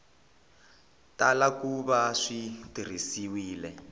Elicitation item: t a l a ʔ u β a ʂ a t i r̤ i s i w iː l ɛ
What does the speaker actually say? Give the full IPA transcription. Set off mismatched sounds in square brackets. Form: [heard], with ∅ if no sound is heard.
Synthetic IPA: t a l a [k] u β a ʂ [i] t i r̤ i s i w iː l ɛ